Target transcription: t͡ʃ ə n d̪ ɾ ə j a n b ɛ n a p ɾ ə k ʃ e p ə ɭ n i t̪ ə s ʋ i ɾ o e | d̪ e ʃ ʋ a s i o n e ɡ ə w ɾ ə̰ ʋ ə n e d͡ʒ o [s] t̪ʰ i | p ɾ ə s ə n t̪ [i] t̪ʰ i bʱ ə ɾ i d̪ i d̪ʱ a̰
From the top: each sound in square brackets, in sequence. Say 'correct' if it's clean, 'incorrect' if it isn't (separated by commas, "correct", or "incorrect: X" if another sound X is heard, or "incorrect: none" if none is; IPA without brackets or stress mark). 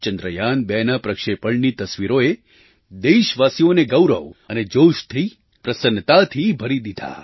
incorrect: ʃ, incorrect: a